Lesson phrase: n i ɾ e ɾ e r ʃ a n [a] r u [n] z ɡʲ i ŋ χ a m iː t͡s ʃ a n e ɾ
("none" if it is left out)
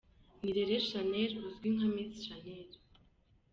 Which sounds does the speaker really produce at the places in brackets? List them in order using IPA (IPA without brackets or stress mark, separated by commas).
e, none